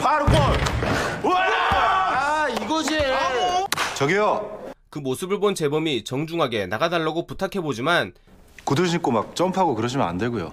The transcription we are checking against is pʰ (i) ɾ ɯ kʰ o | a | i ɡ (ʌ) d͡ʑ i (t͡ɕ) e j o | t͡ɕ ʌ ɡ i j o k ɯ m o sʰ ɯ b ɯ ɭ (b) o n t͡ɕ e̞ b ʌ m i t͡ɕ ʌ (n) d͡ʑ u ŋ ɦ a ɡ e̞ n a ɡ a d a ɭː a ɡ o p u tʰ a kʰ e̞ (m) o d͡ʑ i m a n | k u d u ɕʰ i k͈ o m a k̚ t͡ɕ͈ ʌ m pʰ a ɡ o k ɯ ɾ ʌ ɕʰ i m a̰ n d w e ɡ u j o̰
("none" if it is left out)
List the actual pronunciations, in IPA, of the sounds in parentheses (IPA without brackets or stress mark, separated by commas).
a, ʌ, none, b, ŋ, b